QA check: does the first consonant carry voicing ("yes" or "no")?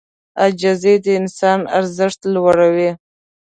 yes